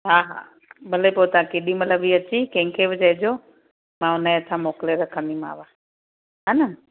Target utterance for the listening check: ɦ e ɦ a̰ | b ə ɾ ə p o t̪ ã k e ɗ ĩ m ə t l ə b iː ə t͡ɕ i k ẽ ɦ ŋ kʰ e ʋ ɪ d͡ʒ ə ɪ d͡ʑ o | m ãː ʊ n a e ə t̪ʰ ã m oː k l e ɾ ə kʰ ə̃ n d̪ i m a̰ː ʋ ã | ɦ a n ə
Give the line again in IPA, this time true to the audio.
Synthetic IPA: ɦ a ɦ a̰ | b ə l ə p o t̪ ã k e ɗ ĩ m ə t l ə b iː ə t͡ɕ i k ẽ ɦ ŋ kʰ e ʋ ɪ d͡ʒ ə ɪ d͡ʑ o | m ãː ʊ n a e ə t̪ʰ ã m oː k l e ɾ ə kʰ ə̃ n d̪ i m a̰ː ʋ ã | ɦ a n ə